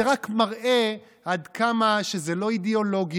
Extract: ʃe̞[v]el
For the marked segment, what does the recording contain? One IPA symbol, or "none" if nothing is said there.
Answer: z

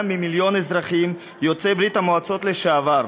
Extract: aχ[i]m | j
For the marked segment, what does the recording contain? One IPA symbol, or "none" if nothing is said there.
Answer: i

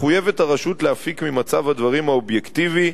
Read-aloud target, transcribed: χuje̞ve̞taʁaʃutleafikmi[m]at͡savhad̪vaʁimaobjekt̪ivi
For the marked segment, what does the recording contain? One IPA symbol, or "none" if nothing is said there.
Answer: m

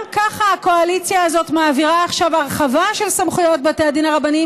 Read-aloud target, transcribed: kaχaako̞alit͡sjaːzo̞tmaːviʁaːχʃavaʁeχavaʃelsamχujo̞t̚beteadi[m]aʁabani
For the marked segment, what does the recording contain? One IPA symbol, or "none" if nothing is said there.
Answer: n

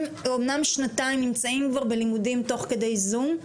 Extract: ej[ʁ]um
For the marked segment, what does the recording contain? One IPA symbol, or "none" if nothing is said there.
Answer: z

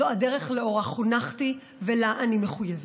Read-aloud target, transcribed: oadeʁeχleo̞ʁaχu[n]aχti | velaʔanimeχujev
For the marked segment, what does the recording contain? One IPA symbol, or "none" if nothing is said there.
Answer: n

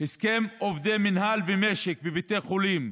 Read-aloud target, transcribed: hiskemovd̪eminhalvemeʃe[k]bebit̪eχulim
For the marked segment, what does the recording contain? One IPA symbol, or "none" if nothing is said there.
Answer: k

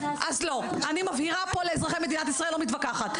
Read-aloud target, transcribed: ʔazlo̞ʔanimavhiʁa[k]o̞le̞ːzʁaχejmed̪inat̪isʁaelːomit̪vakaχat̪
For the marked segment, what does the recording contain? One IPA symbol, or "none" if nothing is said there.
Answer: p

